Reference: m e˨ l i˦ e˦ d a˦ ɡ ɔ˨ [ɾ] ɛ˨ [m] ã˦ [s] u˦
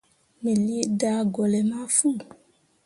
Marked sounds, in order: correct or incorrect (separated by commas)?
incorrect, correct, incorrect